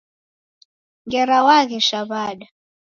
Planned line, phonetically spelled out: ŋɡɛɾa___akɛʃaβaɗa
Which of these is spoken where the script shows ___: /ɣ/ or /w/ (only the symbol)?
w